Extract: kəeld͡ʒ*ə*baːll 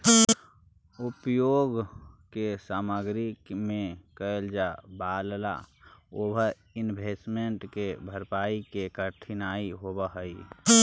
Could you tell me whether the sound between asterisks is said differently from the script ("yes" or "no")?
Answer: yes